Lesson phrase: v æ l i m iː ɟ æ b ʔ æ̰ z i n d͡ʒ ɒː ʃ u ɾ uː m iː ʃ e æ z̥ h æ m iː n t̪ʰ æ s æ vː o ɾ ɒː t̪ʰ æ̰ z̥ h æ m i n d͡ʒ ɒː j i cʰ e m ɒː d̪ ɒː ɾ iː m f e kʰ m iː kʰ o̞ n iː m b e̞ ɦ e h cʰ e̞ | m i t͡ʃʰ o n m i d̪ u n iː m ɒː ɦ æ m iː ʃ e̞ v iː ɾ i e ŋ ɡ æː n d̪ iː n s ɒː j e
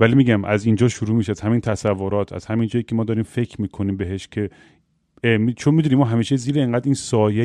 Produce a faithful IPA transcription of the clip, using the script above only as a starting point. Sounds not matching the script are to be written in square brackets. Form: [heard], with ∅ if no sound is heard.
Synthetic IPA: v æ l i m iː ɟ æ [m] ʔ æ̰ z i n d͡ʒ ɒː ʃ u ɾ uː m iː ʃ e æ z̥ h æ m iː n t̪ʰ æ s æ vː o ɾ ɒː t̪ʰ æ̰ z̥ h æ m i n d͡ʒ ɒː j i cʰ e m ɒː d̪ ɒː ɾ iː m f e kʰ m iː kʰ o̞ n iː m b e̞ ɦ e [ʃ] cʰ e̞ | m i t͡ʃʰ o n m i d̪ u n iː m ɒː ɦ æ m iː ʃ e̞ [z] iː ɾ [e] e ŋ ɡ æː [∅] d̪ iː n s ɒː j e